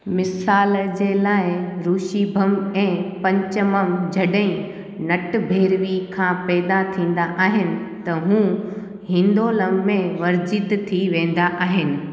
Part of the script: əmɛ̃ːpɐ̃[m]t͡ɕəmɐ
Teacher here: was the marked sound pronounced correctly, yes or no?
no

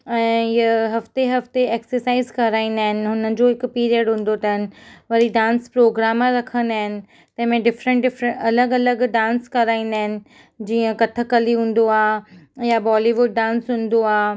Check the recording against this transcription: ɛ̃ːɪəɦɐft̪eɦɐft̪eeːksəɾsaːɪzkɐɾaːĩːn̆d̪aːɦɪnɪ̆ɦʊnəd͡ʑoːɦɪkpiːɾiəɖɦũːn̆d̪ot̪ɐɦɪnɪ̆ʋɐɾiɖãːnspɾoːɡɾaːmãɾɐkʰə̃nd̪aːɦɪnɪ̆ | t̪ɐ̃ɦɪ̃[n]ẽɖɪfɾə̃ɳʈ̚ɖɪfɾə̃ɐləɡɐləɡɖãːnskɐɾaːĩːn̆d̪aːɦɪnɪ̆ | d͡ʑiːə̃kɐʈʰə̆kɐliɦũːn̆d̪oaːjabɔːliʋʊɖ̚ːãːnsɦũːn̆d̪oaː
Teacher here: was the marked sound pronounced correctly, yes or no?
no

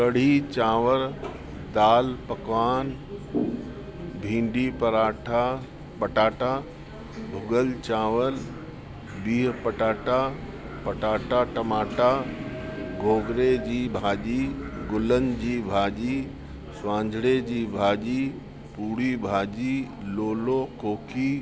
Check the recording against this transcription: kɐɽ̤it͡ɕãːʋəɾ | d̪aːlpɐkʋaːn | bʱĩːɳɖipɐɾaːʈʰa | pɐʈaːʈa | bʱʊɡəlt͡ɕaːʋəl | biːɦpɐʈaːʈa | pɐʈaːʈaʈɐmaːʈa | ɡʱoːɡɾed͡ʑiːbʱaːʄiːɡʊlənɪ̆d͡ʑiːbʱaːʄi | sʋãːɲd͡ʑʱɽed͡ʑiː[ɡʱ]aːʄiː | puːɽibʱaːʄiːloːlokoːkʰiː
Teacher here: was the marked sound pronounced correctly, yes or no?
no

